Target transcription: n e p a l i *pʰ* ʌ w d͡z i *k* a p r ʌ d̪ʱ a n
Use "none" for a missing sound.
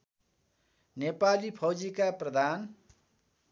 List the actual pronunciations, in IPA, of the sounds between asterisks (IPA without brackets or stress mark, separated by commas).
pʰ, k